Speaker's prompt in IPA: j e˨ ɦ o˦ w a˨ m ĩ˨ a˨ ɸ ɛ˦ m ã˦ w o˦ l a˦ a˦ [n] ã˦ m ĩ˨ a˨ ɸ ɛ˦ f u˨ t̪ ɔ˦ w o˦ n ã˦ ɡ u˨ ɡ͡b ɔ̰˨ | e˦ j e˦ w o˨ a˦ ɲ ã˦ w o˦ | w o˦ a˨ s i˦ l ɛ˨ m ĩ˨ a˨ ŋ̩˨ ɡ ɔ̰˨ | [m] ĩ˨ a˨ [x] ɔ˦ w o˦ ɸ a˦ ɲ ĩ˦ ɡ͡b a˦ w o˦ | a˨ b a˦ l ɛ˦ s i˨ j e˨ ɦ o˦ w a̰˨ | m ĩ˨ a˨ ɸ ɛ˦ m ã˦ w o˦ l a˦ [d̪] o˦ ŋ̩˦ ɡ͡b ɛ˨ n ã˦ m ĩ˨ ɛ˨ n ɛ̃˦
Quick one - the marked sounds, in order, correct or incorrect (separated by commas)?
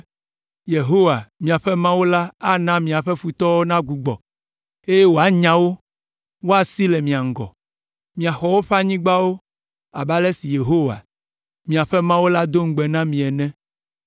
correct, correct, correct, correct